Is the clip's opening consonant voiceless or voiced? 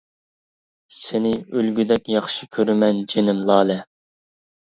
voiceless